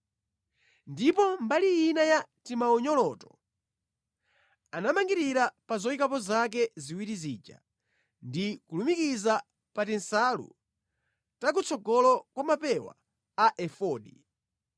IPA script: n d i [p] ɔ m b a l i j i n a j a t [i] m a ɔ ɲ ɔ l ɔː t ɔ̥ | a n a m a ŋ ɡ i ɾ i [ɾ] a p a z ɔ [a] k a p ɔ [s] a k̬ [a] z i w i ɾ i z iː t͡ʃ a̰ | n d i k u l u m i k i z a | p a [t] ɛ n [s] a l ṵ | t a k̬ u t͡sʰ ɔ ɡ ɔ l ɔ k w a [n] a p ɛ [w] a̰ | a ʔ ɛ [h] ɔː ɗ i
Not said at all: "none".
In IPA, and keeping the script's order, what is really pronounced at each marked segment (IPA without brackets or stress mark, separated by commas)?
p, i, ɾ, i, z, ɛ, t, s, m, w, f